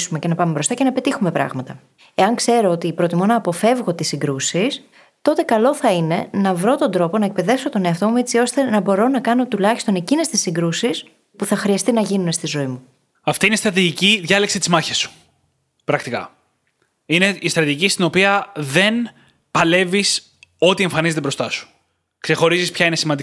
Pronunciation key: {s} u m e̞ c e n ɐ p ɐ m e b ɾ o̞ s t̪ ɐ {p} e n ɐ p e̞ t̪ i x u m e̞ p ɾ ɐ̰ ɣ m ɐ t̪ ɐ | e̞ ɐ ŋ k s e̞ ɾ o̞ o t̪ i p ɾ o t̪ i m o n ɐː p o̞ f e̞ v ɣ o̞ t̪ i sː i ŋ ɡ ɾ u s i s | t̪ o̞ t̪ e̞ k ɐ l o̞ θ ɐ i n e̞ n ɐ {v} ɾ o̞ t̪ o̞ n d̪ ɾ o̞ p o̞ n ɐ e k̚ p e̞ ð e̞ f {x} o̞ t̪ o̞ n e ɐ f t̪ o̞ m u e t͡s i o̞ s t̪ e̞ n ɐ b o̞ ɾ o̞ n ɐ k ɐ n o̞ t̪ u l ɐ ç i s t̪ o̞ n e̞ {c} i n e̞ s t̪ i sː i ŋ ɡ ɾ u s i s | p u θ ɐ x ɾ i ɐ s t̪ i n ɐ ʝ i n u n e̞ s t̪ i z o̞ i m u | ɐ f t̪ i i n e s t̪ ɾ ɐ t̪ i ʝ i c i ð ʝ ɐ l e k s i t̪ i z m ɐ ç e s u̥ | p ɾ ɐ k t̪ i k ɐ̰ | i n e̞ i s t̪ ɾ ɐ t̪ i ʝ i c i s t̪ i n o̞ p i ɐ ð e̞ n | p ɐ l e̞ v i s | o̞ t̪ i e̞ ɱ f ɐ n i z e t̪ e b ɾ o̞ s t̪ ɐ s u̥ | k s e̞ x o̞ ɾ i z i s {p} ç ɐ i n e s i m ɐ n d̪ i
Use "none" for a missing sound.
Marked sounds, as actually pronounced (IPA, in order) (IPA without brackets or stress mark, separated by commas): s, c, v, s, c, p